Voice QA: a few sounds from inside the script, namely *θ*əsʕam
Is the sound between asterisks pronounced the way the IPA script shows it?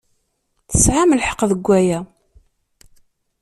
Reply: yes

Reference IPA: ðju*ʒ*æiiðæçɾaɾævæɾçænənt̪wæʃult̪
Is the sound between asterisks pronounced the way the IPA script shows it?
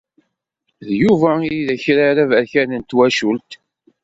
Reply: no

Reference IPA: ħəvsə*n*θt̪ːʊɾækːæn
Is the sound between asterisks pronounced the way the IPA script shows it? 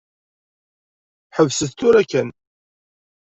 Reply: no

